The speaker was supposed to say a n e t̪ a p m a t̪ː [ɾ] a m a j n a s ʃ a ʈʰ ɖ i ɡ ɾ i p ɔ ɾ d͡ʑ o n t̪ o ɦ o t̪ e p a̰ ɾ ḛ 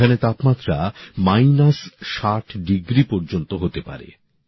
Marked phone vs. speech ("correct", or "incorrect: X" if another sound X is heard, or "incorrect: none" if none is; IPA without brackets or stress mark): correct